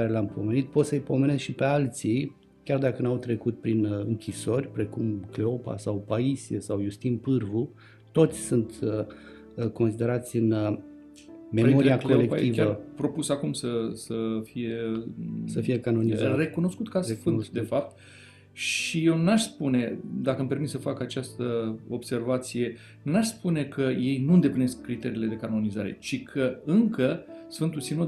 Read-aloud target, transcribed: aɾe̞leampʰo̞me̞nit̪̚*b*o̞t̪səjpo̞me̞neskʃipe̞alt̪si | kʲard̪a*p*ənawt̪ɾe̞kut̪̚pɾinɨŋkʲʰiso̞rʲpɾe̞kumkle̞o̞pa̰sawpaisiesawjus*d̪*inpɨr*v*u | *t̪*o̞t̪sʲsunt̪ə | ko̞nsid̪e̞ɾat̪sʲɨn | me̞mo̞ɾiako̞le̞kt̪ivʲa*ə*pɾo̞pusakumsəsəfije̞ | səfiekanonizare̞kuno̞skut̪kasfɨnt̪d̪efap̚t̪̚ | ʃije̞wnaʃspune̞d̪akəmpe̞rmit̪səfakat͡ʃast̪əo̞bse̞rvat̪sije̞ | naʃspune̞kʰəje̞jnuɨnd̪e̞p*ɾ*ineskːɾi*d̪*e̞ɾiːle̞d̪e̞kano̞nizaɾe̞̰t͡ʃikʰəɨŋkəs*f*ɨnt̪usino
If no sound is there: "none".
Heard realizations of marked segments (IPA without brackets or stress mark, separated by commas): p, k, t̪, v, t̪, ə, l, t̪, f